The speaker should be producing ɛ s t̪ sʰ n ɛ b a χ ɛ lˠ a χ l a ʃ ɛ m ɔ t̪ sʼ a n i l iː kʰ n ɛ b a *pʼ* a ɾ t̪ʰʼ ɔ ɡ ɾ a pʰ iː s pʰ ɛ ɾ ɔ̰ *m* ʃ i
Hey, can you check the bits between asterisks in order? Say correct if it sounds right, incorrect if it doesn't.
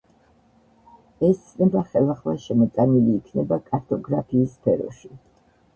incorrect, incorrect

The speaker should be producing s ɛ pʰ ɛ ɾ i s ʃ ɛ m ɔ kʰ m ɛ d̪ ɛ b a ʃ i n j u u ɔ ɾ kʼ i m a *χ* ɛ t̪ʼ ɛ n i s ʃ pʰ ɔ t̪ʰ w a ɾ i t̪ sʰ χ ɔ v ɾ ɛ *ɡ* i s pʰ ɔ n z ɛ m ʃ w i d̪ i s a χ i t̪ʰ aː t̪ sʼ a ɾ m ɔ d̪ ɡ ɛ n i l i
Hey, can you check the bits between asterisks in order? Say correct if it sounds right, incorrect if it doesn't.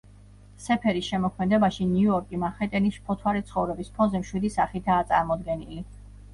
correct, incorrect

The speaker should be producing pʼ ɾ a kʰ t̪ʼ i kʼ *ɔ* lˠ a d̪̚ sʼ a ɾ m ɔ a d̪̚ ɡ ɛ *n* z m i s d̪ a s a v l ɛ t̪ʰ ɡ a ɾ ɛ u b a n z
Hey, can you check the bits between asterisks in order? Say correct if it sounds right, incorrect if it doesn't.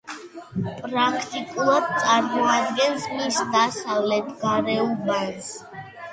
incorrect, correct

